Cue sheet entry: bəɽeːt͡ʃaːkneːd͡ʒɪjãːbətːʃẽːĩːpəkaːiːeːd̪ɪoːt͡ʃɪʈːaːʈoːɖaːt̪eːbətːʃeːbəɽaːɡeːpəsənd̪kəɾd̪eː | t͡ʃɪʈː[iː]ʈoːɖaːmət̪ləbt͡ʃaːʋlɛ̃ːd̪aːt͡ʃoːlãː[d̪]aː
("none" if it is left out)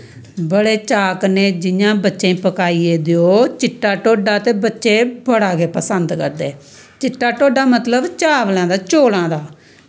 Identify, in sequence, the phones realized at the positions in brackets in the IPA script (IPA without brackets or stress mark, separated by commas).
aː, d̪